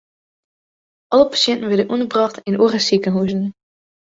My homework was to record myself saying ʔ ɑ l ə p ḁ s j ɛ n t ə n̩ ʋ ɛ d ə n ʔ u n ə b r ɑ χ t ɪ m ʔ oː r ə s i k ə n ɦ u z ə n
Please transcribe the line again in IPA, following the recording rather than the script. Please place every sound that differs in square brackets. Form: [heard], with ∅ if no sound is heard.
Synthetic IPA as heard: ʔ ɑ l ə p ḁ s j ɛ n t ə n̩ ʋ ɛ d ə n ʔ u n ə b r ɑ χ t ɪ [n] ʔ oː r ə s i k ə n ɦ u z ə n